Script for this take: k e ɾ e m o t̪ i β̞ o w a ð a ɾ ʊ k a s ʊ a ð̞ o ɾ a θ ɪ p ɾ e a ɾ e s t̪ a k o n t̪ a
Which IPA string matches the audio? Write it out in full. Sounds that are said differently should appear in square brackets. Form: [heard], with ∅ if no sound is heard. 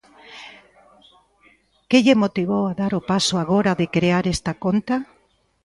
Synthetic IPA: k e [ʎ] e m o t̪ i β̞ o w a ð a ɾ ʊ [p] a s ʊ a [ɣ̞] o ɾ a [ð] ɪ [k] ɾ e a ɾ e s t̪ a k o n t̪ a